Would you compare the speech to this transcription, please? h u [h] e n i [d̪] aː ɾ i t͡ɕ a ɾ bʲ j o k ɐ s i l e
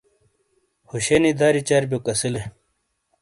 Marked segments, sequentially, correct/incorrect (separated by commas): incorrect, correct